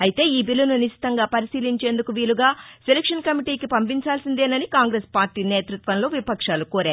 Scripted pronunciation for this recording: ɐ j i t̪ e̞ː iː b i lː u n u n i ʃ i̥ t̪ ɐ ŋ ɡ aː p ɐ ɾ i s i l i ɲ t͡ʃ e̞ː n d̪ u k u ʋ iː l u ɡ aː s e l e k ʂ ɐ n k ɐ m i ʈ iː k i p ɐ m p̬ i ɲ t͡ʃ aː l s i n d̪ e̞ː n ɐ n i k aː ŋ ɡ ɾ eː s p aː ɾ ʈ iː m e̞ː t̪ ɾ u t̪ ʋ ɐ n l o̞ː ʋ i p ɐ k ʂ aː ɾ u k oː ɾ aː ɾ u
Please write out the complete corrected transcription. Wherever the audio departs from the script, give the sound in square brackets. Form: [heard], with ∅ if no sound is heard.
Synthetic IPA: ɐ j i t̪ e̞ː iː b i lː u n u n i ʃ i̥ t̪ ɐ ŋ ɡ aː p ɐ ɾ i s [iː] l i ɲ t͡ʃ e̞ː n d̪ u k u ʋ iː l u ɡ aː s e l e k ʂ ɐ n k ɐ m i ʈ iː k i p ɐ m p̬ i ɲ t͡ʃ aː l s i n d̪ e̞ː n ɐ n i k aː ŋ ɡ ɾ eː s p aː ɾ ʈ iː [n] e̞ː t̪ ɾ u t̪ ʋ ɐ n l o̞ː ʋ i p ɐ k ʂ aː [l] u k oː ɾ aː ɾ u

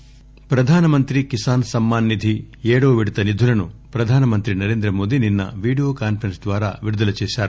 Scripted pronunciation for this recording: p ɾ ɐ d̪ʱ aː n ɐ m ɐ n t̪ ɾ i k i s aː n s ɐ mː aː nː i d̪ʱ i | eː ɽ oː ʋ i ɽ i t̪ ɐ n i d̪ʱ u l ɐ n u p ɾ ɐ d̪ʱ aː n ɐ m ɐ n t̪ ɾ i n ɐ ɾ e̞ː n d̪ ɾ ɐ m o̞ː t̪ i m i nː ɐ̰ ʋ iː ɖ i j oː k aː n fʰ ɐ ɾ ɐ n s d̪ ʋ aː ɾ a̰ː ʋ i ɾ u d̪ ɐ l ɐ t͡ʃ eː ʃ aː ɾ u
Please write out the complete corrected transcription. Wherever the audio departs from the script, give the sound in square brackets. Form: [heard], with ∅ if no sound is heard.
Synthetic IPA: p ɾ ɐ d̪ʱ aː n ɐ m ɐ n t̪ ɾ i k i s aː n s ɐ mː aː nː i d̪ʱ i | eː ɽ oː ʋ i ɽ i t̪ ɐ n i d̪ʱ u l ɐ n u p ɾ ɐ d̪ʱ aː n ɐ m ɐ n t̪ ɾ i n ɐ ɾ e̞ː n d̪ ɾ ɐ m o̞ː [d̪] i [n] i nː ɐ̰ ʋ iː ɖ i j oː k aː n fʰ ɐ ɾ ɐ n s d̪ ʋ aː ɾ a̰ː ʋ i ɾ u d̪ ɐ l ɐ t͡ʃ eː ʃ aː ɾ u

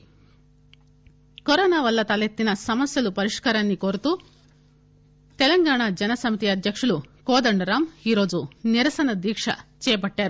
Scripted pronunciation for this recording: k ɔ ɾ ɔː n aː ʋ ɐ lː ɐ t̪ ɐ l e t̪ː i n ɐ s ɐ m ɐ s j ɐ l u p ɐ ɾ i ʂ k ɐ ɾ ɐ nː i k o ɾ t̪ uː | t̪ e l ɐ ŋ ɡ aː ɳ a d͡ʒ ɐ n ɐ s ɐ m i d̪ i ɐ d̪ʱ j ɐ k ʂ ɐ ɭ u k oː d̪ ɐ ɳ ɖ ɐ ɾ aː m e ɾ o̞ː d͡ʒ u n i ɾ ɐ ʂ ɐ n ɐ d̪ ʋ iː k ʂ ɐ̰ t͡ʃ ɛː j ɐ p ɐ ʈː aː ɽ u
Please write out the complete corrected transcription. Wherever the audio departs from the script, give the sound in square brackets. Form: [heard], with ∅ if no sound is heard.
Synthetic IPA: k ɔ ɾ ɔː n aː ʋ ɐ lː ɐ t̪ ɐ l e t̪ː i n ɐ s ɐ m ɐ s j ɐ l u p ɐ ɾ i ʂ k ɐ ɾ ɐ nː i k o ɾ t̪ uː | t̪ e l ɐ ŋ ɡ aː ɳ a d͡ʒ ɐ n ɐ s ɐ m i [t̪] i ɐ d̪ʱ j ɐ k ʂ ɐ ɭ u k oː d̪ ɐ ɳ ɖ ɐ ɾ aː m [i] ɾ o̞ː d͡ʒ u n i ɾ ɐ [s] ɐ n ɐ d̪ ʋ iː k ʂ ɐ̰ t͡ʃ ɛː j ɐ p ɐ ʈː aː [ɾ] u

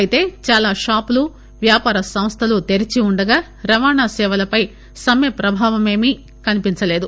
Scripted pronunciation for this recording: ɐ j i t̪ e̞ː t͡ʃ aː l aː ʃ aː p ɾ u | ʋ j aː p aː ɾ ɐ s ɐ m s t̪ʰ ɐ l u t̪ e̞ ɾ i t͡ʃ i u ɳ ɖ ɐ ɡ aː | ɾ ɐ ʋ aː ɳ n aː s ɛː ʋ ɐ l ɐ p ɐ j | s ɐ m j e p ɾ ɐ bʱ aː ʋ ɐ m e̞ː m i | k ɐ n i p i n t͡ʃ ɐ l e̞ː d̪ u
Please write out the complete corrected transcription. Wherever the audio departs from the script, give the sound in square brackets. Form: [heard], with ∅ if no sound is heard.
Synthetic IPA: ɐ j i t̪ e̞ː t͡ʃ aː l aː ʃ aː p [l] u | ʋ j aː p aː ɾ ɐ s ɐ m s t̪ʰ ɐ l u t̪ e̞ ɾ i t͡ʃ i u ɳ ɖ ɐ ɡ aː | ɾ ɐ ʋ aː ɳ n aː s ɛː ʋ ɐ l ɐ p ɐ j | s ɐ m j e p ɾ ɐ bʱ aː ʋ ɐ m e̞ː m i | k ɐ n i p i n t͡ʃ ɐ l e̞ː d̪ u

